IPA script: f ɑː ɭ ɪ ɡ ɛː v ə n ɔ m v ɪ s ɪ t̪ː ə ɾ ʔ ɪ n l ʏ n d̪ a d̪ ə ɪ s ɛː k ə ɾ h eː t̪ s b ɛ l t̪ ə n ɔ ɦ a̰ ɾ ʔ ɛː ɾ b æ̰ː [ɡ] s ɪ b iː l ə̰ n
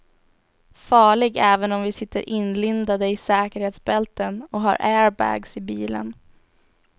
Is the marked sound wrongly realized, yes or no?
no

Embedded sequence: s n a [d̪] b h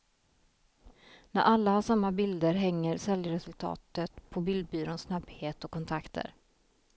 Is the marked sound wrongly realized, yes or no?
yes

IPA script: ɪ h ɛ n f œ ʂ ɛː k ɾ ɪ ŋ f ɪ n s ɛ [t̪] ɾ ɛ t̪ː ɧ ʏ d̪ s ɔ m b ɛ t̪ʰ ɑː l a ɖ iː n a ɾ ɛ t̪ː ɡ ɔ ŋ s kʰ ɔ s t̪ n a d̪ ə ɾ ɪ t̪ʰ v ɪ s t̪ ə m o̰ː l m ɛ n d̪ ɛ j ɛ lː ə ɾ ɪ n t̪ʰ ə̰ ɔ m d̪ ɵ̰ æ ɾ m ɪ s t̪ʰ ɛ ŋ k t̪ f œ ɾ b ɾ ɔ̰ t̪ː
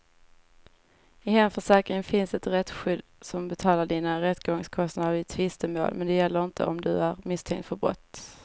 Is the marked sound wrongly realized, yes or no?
no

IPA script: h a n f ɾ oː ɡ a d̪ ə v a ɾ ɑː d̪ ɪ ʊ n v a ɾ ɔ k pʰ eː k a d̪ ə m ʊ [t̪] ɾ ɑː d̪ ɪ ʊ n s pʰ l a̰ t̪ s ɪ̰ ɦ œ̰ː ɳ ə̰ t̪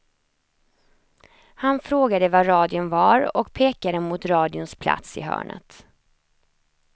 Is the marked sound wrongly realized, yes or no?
no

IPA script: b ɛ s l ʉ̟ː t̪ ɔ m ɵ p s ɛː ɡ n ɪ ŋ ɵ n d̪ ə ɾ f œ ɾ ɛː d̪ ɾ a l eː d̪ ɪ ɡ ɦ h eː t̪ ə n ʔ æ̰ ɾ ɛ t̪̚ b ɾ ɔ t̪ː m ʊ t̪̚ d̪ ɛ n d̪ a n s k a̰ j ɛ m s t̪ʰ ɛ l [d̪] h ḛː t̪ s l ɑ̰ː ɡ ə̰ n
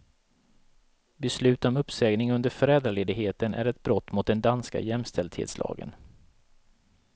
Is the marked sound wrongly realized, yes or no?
no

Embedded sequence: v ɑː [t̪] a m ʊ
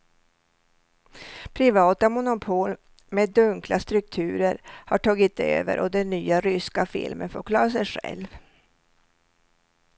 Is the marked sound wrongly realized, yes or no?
no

